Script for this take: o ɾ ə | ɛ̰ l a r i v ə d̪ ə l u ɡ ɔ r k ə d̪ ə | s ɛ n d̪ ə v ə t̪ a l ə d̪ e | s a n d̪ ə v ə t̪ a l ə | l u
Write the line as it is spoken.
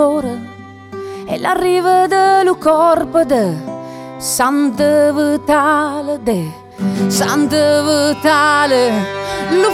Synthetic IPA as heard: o ɾ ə | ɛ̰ l a r i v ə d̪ ə l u k ɔ r p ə d̪ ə | s a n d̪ ə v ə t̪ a l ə d̪ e | s a n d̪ ə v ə t̪ a l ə | l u